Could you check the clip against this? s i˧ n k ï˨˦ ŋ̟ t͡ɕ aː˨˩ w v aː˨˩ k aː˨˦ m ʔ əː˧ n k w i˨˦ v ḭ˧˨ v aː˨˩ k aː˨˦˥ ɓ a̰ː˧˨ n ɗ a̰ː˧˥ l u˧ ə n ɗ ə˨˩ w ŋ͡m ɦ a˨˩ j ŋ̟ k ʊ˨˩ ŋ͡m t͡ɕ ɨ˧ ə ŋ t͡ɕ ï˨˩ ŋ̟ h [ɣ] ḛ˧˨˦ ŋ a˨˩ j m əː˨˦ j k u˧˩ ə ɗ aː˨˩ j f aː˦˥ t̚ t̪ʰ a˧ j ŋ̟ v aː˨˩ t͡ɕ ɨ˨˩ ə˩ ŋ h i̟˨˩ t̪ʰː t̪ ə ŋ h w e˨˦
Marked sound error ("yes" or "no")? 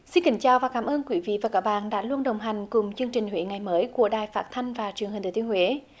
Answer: yes